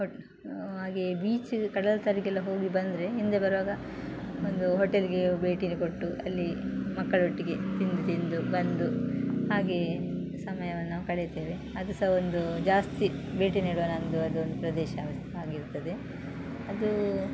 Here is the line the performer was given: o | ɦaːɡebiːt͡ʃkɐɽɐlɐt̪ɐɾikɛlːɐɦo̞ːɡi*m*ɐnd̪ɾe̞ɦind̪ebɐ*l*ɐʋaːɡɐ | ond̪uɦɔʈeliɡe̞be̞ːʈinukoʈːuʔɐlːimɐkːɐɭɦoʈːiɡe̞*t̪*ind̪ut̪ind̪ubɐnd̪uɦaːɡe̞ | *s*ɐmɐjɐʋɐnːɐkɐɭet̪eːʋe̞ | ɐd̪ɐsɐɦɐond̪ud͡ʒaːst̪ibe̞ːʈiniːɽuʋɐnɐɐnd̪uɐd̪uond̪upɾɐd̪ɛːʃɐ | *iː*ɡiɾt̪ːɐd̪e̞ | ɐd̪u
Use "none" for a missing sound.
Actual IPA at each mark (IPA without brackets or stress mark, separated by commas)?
b, ɾ, t̪, s, aː